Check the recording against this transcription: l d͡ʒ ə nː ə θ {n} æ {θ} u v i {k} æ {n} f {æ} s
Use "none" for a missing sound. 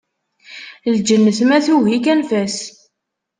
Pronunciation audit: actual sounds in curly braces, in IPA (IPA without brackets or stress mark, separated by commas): m, θ, k, n, æ